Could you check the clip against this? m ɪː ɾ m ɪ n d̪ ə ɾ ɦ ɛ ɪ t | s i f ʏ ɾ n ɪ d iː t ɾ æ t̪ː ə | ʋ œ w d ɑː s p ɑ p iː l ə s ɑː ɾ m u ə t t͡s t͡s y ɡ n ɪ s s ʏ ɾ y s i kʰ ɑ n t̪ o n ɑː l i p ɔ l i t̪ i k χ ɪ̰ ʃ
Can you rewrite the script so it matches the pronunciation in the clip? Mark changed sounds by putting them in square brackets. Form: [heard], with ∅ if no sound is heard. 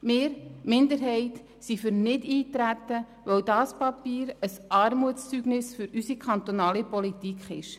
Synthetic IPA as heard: m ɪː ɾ m ɪ n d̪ ə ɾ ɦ ɛ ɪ t | s i f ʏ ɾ n ɪ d iː t ɾ æ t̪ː ə | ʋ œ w d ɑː s p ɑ p iː [ɾ] ə s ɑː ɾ m u ə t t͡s t͡s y ɡ n ɪ s [f] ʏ ɾ y s i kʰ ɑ n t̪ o n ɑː l i p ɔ l i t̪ i k χ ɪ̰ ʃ

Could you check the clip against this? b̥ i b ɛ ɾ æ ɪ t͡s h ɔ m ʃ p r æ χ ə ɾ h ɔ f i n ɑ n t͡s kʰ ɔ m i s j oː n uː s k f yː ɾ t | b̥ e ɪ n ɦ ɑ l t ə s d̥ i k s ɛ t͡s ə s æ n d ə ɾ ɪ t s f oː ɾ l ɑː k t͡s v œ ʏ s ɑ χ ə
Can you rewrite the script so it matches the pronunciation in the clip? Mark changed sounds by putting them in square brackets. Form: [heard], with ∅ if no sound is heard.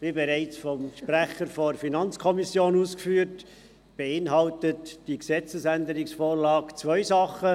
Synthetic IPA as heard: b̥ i b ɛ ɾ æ ɪ t͡s [f] ɔ m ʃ p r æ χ ə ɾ [f] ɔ f i n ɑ n t͡s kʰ ɔ m i s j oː n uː s k f yː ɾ t | b̥ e ɪ n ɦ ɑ l t ə [t] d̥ i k s ɛ t͡s ə s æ n d ə ɾ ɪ [k] s f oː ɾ l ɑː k t͡s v œ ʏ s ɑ χ ə

